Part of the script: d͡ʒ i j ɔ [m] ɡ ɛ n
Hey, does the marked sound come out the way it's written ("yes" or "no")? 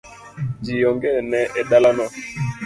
no